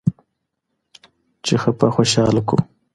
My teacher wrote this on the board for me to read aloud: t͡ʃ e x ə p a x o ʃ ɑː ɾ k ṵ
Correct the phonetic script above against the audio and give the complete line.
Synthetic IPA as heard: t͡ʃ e x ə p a x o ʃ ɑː l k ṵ